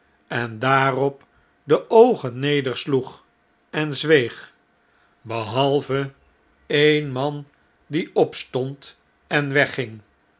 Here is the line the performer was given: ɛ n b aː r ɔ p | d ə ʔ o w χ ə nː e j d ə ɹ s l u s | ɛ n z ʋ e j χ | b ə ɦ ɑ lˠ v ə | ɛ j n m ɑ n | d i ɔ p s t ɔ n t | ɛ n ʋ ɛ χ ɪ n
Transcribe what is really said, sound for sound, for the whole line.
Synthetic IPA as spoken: ɛ n d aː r ɔ p | d ə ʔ o w χ ə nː e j d ə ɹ s l u χ | ɛ n z ʋ e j χ | b ə ɦ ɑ lˠ v ə | e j n m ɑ n | d i ɔ p s t ɔ n t | ɛ n ʋ ɛ χ ɪ ŋ